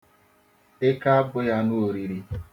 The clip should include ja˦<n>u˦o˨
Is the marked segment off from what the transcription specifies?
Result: no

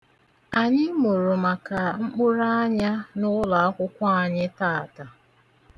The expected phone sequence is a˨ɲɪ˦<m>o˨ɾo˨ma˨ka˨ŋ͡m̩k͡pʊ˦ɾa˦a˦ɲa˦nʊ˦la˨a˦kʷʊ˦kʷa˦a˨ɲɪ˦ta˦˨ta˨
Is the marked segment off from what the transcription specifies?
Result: no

